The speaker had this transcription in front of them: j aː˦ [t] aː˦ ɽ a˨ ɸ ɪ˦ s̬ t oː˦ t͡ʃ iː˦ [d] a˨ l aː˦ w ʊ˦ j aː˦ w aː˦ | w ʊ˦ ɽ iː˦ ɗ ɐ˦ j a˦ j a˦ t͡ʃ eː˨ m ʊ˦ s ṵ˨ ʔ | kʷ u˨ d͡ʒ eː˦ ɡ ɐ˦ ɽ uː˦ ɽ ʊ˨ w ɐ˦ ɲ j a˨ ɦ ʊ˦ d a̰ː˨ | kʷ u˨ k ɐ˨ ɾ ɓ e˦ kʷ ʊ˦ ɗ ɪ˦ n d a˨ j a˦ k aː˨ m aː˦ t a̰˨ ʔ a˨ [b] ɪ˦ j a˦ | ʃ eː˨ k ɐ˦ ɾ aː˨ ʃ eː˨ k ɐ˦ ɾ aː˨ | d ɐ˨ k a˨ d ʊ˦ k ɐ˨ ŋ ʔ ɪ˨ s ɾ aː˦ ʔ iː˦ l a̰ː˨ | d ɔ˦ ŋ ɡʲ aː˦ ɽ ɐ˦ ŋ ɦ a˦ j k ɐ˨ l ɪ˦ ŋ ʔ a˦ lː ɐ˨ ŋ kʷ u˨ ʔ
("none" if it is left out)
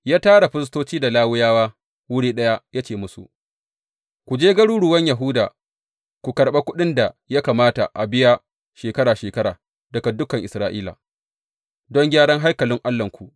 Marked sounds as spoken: t, d, b

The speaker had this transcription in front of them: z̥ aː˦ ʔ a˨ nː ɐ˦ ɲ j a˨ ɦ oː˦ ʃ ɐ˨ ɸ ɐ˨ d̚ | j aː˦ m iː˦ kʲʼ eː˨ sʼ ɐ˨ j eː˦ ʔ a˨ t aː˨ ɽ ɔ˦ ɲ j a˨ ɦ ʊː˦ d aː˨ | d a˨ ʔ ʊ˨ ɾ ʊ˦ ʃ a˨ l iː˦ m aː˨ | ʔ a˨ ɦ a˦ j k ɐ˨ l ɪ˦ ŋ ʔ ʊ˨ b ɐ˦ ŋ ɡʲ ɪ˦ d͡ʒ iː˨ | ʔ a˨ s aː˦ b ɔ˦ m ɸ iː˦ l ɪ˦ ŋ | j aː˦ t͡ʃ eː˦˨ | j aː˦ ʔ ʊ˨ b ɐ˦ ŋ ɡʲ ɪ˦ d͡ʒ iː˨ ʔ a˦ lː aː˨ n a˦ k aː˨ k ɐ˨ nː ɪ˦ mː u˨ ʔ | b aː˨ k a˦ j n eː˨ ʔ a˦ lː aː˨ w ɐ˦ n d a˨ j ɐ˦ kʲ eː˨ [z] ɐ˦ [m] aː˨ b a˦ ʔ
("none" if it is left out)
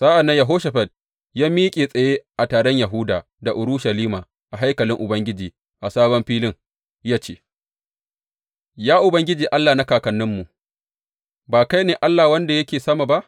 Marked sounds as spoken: s, m

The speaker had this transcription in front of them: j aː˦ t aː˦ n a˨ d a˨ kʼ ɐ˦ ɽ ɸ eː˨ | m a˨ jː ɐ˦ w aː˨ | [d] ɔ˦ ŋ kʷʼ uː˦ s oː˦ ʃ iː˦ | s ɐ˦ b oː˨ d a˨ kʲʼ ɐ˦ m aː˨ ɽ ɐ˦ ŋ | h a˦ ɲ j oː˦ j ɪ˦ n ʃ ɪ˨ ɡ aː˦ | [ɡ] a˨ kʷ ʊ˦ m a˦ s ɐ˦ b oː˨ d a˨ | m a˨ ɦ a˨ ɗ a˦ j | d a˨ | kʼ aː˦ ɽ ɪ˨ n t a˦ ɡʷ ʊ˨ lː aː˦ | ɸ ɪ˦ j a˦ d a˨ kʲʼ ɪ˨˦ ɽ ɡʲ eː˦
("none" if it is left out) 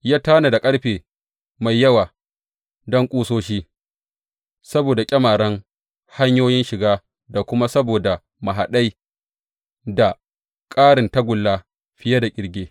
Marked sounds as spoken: d, d

